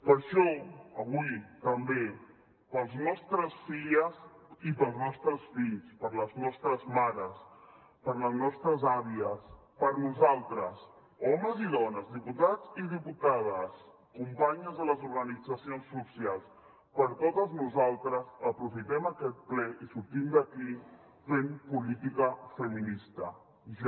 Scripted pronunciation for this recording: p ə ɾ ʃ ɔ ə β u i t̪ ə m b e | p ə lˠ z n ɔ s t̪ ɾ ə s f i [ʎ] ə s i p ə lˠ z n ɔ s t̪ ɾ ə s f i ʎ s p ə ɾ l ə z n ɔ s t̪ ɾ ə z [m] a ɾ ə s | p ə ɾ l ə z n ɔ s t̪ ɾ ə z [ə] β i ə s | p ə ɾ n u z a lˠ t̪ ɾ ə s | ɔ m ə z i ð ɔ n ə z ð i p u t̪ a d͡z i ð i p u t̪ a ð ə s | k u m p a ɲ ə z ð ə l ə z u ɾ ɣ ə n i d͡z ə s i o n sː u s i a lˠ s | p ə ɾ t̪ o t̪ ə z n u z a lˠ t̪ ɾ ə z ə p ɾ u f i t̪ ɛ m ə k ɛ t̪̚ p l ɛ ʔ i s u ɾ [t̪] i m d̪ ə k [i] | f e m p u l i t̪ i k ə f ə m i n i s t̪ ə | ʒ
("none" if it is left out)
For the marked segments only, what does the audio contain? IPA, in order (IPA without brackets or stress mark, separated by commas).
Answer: ʎ, m, a, t̪, i